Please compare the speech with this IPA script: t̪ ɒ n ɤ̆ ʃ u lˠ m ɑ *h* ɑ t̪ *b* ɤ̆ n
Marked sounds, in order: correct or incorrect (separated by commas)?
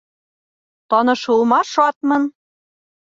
incorrect, incorrect